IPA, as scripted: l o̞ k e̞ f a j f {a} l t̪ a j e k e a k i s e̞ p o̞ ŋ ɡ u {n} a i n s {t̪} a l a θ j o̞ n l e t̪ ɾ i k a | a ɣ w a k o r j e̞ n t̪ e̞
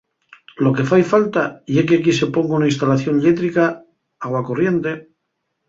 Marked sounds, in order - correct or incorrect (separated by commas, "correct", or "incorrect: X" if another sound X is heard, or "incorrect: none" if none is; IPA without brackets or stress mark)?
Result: correct, correct, correct